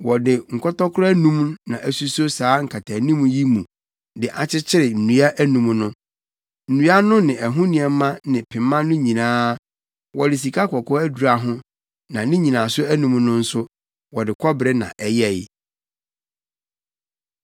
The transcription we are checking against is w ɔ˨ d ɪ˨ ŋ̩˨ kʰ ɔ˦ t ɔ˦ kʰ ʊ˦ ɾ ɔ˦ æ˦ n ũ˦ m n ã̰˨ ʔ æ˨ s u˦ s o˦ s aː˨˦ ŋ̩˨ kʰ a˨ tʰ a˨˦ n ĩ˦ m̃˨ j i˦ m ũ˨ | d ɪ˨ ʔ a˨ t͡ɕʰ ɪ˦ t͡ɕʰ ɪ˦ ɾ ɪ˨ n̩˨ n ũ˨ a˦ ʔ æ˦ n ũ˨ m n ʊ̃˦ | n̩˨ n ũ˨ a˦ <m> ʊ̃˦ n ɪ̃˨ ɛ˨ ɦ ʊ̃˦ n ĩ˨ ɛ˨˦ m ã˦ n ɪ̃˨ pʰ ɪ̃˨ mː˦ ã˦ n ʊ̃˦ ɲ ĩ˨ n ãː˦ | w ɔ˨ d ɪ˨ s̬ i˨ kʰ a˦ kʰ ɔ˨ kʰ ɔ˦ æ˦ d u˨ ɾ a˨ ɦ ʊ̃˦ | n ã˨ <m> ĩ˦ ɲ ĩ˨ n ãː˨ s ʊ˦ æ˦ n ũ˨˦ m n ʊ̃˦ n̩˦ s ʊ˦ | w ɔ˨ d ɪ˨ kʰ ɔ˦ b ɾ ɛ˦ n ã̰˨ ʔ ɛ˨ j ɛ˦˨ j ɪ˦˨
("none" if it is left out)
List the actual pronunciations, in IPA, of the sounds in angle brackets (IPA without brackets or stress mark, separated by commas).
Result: n, n